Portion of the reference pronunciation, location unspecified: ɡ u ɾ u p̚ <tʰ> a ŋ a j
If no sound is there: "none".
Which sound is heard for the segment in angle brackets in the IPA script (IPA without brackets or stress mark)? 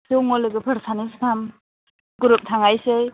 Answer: tʰ